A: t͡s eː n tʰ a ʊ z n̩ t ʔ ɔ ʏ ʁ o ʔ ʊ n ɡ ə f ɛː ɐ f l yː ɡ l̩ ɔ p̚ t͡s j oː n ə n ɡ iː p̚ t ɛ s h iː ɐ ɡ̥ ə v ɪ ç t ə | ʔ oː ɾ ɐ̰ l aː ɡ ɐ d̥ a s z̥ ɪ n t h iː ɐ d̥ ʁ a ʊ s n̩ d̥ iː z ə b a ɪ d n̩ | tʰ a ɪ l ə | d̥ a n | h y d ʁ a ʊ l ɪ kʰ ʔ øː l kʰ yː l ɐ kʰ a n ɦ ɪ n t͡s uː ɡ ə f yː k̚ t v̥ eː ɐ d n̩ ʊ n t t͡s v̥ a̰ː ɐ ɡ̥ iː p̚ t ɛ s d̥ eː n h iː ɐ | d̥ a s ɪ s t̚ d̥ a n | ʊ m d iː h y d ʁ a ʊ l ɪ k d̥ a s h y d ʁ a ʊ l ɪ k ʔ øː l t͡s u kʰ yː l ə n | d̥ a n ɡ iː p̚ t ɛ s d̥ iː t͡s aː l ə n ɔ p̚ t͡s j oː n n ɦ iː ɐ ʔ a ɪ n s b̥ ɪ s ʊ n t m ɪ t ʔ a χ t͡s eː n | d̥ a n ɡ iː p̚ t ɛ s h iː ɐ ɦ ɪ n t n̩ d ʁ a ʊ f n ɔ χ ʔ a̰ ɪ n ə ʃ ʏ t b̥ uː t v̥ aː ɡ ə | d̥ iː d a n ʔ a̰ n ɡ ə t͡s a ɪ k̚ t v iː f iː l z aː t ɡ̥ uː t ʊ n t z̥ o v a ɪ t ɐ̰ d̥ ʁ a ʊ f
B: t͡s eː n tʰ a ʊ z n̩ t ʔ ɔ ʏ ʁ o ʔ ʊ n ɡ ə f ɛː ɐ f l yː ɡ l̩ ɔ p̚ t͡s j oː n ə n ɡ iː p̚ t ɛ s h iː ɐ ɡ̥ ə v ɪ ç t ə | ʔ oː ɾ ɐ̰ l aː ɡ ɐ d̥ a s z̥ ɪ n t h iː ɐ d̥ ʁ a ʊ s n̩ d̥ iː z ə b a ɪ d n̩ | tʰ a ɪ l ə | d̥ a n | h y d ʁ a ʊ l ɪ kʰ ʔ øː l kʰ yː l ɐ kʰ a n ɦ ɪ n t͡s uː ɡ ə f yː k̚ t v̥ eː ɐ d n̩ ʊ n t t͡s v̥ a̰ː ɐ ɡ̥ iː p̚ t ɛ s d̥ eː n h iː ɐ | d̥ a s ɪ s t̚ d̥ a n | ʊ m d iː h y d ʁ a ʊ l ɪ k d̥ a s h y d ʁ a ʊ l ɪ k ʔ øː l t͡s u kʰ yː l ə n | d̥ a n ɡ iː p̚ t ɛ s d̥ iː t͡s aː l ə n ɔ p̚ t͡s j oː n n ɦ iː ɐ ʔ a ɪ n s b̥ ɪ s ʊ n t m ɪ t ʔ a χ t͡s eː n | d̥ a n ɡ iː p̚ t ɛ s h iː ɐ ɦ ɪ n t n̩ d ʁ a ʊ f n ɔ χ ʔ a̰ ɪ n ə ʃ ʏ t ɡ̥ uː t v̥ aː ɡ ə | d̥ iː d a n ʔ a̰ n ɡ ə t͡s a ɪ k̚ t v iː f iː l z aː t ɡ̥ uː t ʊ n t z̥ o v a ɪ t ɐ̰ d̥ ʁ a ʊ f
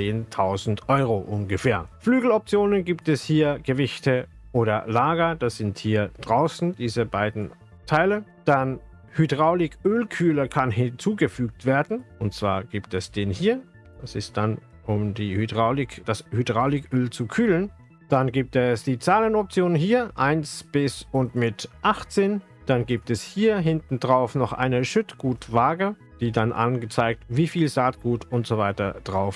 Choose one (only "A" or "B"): B